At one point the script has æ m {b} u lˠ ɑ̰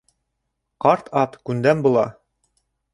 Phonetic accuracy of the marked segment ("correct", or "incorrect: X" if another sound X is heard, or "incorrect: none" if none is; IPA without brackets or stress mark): correct